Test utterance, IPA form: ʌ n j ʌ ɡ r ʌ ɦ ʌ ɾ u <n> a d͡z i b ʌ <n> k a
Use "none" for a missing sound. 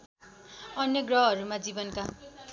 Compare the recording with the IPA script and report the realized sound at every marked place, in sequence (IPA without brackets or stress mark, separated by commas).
m, n